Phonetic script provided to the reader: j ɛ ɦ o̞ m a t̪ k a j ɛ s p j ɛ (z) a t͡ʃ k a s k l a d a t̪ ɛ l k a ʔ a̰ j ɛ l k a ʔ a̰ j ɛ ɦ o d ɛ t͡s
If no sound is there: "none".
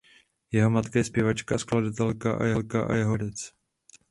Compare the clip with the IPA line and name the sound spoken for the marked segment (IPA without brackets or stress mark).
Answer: v